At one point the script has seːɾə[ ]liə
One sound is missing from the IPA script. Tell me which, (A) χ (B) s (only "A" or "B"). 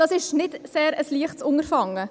B